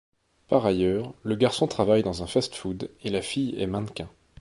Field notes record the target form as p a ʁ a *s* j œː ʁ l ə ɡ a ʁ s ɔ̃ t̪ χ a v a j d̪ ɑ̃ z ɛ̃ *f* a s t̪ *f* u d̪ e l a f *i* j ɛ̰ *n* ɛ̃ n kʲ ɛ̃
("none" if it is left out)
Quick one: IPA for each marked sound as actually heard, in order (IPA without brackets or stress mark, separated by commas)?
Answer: none, f, f, i, m